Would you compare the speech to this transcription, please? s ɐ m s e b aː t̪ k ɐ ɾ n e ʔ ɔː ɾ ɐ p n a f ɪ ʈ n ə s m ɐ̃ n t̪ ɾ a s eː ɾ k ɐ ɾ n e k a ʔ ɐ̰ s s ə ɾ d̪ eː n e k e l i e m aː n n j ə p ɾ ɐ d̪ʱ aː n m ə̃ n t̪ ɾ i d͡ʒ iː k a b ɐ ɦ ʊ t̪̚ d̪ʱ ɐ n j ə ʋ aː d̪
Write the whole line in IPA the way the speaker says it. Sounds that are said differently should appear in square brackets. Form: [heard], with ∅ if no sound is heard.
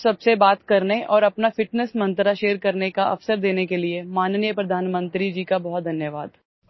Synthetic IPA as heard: s ɐ [b] s e b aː t̪ k ɐ ɾ n e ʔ ɔː ɾ ɐ p n a f ɪ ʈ n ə s m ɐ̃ n t̪ ɾ a [ʃ] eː ɾ k ɐ ɾ n e k a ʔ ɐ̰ [f] s ə ɾ d̪ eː n e k e l i e m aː n n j ə p ɾ ɐ d̪ʱ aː n m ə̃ n t̪ ɾ i d͡ʒ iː k a b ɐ ɦ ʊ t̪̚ d̪ʱ ɐ n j ə ʋ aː d̪